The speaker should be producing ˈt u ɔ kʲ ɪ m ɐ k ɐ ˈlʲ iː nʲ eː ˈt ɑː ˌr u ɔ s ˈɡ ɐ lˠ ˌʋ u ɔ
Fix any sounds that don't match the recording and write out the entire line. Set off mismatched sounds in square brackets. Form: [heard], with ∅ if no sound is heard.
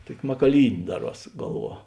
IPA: ˈt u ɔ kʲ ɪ m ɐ k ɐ ˈlʲ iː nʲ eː [ˈd] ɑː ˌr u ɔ s ˈɡ ɐ lˠ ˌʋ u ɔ